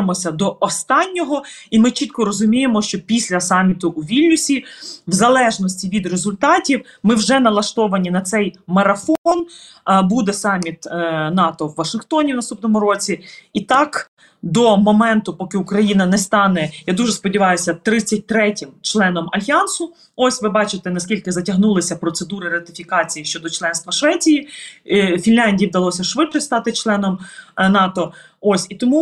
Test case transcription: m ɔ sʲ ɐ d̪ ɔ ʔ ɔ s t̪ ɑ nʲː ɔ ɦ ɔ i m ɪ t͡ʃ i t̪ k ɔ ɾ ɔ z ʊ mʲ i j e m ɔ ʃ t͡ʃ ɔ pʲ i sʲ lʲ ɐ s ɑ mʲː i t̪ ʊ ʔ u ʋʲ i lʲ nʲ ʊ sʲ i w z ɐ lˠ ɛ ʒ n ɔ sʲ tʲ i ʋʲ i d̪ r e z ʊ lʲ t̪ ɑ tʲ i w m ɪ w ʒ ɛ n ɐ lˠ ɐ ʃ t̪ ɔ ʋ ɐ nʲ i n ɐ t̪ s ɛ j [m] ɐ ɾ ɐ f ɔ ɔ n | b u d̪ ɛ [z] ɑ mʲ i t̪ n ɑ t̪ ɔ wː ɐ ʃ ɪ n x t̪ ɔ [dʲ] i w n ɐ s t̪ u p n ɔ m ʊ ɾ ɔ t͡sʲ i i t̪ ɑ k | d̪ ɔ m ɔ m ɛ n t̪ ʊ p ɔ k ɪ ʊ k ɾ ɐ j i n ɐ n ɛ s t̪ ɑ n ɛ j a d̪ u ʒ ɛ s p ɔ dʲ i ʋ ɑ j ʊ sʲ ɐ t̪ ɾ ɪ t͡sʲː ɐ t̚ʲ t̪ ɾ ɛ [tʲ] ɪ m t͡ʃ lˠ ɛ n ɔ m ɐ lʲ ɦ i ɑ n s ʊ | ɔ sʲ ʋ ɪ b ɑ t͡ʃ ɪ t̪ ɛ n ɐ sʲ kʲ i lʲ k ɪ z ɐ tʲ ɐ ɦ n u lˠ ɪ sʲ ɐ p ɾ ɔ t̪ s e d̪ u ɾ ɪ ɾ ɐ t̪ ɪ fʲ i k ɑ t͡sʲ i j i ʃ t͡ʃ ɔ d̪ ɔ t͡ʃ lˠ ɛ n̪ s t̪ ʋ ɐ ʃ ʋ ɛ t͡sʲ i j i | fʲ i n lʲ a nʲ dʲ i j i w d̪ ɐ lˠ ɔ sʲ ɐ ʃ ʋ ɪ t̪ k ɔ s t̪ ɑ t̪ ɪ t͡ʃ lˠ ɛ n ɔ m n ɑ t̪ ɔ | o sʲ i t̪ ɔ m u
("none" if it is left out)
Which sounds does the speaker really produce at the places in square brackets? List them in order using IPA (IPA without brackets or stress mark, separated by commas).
m, s, nʲ, tʲ